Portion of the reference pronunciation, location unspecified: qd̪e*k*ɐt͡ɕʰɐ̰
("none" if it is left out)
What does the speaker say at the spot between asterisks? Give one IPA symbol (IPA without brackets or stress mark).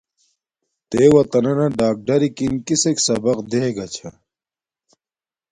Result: ɡ